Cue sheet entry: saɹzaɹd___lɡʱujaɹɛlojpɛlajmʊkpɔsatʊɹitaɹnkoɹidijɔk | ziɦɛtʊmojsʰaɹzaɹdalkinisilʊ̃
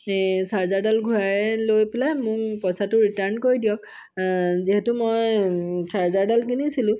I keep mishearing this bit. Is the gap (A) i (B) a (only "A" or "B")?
B